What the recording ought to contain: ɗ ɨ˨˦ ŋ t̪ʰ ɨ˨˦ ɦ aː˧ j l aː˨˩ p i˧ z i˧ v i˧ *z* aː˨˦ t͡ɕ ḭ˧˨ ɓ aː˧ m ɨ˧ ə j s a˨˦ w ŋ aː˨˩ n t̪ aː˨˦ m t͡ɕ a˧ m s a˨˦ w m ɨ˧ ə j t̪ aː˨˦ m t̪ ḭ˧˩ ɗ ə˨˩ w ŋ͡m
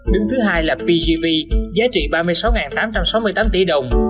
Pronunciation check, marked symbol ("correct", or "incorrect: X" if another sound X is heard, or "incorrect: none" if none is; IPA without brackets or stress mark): correct